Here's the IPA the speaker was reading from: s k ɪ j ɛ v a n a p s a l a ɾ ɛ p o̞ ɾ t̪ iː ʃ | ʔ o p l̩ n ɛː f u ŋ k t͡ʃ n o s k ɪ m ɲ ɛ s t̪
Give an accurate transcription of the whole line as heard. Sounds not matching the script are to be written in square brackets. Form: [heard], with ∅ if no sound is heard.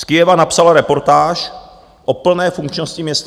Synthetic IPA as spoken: s k ɪ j ɛ v a n a p s a l a ɾ ɛ p o̞ ɾ t̪ [aː] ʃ | ʔ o p l̩ n ɛː f u ŋ k t͡ʃ n o s [c] ɪ m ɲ ɛ s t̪